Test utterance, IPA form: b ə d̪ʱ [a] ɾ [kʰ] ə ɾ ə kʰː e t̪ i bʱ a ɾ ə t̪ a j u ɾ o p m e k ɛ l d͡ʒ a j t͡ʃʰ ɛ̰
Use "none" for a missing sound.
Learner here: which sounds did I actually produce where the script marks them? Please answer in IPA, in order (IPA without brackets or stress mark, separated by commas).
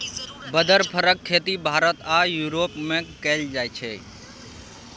ə, pʰ